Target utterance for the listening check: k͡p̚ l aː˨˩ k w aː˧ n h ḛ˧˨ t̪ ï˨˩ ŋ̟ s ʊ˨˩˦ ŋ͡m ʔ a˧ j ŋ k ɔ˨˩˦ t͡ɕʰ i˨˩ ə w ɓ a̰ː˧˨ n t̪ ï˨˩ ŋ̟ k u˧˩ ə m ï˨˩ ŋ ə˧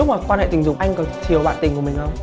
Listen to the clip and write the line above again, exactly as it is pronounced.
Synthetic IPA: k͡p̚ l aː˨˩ k w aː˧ n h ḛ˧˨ t̪ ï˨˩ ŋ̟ z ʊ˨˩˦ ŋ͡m ʔ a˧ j ŋ k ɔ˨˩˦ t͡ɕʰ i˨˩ ə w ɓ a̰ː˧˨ n t̪ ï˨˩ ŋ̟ k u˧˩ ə m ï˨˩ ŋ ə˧